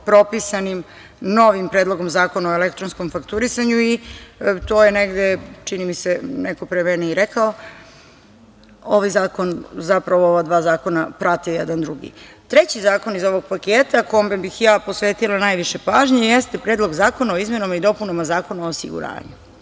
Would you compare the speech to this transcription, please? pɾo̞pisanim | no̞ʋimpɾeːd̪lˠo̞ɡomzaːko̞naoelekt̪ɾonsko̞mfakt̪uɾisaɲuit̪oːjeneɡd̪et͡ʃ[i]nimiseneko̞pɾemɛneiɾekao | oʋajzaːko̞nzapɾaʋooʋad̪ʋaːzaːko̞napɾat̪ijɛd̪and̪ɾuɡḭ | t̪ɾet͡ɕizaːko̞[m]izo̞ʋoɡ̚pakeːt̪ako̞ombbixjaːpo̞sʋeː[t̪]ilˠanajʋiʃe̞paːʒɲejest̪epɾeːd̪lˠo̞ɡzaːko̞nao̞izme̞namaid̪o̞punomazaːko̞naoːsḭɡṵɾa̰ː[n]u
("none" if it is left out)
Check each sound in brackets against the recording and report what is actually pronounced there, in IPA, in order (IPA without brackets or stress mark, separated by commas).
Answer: i, n, t̪, ɲ